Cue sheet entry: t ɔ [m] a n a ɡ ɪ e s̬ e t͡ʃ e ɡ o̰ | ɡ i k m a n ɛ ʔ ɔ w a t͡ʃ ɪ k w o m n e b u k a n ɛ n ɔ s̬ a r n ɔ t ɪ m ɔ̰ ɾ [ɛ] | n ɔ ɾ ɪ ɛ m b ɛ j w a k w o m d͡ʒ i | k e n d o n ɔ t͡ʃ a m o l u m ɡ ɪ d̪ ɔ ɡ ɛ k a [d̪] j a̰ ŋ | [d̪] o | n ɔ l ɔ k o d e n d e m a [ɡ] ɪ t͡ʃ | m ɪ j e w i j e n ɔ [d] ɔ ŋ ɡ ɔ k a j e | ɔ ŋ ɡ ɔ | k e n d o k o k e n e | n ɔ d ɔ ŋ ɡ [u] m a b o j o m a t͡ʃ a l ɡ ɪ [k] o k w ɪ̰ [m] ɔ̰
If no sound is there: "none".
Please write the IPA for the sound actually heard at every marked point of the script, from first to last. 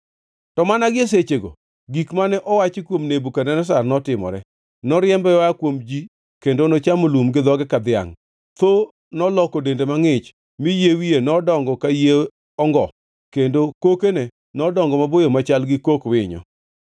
m, ɛ, d̪, t̪, ŋ, d, ɔ, k, ɲ

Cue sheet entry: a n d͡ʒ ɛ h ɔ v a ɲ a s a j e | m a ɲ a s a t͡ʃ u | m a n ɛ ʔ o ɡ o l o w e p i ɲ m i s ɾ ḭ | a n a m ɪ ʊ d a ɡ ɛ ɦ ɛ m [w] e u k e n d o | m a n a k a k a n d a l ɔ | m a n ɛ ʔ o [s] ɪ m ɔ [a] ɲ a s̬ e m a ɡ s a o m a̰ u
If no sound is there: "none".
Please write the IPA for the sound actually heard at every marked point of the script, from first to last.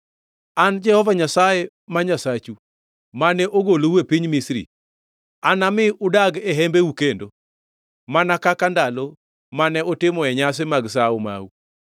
b, t, ɛ

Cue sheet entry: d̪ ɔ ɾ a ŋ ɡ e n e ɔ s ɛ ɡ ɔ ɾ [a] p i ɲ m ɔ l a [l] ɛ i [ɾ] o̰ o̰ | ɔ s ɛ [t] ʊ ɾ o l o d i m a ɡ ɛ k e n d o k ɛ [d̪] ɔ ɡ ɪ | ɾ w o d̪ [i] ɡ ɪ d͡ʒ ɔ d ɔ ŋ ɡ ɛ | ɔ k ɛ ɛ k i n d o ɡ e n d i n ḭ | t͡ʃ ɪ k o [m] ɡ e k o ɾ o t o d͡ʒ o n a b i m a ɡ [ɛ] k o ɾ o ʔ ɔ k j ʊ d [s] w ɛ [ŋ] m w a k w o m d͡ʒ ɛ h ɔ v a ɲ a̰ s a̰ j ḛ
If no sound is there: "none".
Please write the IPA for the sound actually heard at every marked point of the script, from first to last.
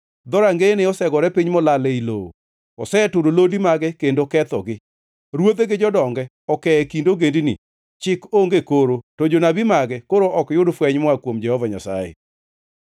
ɛ, l, l, t, t̪, e, ŋ, ɛ, f, ɲ

